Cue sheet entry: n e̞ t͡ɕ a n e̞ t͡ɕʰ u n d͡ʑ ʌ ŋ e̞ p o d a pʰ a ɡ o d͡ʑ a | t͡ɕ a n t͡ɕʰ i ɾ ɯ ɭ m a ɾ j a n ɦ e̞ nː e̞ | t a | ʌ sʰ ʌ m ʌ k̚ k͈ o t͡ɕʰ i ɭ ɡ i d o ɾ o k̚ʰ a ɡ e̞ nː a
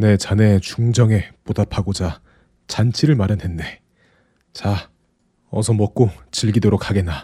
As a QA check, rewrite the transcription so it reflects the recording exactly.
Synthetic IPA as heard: n e̞ t͡ɕ a n e̞ t͡ɕ u ŋ d͡ʑ ʌ ŋ e̞ p o d a pʰ a ɡ o d͡ʑ a | t͡ɕ a n t͡ɕʰ i ɾ ɯ ɭ m a ɾ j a n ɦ e̞ nː e̞ | t͡ɕ a | ʌ sʰ ʌ m ʌ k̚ k͈ o t͡ɕ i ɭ ɡ i d o ɾ o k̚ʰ a ɡ e̞ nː a